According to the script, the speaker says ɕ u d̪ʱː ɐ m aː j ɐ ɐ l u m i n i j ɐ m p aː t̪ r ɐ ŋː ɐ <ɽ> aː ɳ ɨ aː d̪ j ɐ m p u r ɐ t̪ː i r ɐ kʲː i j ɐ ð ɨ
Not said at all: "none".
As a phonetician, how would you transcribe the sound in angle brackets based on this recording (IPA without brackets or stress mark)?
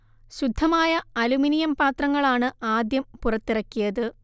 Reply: ɭ